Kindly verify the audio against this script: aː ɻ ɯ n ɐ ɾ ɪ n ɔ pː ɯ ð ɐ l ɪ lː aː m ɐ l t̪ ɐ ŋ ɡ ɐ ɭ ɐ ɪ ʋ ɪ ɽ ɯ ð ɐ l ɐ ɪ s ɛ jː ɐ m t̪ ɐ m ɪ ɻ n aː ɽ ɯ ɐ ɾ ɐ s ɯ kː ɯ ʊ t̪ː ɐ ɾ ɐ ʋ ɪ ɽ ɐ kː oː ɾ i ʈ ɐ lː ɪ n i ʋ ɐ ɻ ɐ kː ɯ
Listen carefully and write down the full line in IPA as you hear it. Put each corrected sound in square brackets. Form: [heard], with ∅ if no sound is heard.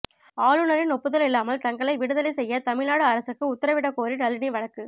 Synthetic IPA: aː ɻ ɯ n ɐ ɾ ɪ n ɔ pː ɯ ð ɐ l ɪ lː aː m ɐ l t̪ ɐ ŋ ɡ ɐ ɭ ɐ ɪ ʋ ɪ ɽ ɯ ð ɐ l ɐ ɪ s ɛ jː ɐ [∅] t̪ ɐ m ɪ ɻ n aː ɽ ɯ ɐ ɾ ɐ s ɯ kː ɯ ʊ t̪ː ɐ ɾ ɐ ʋ ɪ ɽ ɐ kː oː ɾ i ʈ ɐ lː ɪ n i ʋ ɐ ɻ ɐ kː ɯ

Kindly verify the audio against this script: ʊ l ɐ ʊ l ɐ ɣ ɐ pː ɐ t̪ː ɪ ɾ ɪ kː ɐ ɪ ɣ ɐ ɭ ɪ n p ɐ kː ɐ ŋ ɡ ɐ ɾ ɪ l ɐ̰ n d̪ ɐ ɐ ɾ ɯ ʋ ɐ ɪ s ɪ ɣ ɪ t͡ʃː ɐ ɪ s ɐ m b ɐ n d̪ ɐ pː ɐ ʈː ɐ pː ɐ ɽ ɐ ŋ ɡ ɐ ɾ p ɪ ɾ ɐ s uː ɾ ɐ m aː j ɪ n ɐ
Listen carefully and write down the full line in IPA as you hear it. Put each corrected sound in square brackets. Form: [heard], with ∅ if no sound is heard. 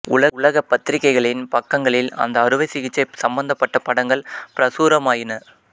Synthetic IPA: ʊ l ɐ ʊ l ɐ ɣ ɐ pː ɐ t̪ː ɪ ɾ ɪ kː ɐ ɪ ɣ ɐ ɭ ɪ n p ɐ kː ɐ ŋ ɡ ɐ [ɭ] ɪ l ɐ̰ n d̪ ɐ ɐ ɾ ɯ ʋ ɐ ɪ s ɪ ɣ ɪ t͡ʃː ɐ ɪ s ɐ m b ɐ n d̪ ɐ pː ɐ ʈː ɐ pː ɐ ɽ ɐ ŋ ɡ ɐ [ɭ] p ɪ ɾ ɐ s uː ɾ ɐ m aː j ɪ n ɐ

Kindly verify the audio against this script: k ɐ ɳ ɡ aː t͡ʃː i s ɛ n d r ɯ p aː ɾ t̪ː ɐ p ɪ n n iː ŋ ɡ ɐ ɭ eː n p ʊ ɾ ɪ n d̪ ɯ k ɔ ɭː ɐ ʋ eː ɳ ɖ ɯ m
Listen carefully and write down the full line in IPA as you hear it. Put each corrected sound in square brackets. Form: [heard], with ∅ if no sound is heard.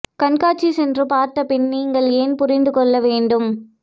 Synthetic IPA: k ɐ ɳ [k] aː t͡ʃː i s ɛ n d r ɯ p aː ɾ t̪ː ɐ p ɪ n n iː ŋ ɡ ɐ ɭ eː n p ʊ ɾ ɪ n d̪ ɯ k ɔ ɭː ɐ ʋ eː ɳ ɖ ɯ m

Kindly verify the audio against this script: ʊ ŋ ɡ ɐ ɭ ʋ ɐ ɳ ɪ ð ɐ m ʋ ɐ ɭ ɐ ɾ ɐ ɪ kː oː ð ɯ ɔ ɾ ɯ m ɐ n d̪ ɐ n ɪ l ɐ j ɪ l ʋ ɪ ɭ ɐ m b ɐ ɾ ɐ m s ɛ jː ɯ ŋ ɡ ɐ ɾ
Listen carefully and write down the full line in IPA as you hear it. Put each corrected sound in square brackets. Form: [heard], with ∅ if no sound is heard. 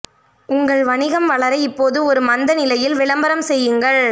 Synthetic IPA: ʊ ŋ ɡ ɐ ɭ ʋ ɐ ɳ ɪ [ɣ] ɐ m ʋ ɐ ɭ ɐ ɾ ɐ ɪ [pː] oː ð ɯ ɔ ɾ ɯ m ɐ n d̪ ɐ n ɪ l ɐ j ɪ l ʋ ɪ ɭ ɐ m b ɐ ɾ ɐ m s ɛ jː ɯ ŋ ɡ ɐ [ɭ]

